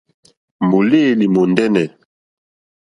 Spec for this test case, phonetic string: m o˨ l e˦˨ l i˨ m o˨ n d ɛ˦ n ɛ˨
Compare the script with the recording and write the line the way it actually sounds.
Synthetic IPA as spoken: m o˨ l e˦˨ l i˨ m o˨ n d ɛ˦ n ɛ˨